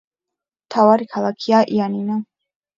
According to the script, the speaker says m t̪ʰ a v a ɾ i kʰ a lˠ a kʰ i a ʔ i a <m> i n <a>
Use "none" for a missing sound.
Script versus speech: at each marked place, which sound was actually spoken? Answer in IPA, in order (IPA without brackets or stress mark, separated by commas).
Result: n, a